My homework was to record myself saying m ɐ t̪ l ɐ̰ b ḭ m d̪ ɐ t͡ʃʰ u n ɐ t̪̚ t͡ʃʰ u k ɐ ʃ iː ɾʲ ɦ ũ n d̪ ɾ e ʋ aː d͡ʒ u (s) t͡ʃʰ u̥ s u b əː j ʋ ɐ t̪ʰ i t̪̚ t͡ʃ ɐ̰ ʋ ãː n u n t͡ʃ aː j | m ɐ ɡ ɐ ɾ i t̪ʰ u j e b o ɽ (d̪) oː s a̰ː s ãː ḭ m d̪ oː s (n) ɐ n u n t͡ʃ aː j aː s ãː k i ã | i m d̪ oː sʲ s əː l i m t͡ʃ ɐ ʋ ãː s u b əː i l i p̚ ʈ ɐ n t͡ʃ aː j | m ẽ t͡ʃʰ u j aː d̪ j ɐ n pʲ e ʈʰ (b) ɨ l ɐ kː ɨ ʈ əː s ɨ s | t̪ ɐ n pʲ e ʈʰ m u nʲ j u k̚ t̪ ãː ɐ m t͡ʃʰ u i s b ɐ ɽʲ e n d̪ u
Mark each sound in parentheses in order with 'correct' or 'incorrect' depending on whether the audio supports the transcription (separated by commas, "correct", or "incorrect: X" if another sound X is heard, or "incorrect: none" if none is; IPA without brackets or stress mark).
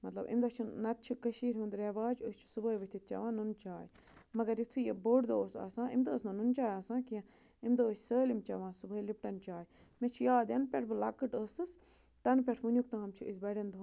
correct, correct, correct, correct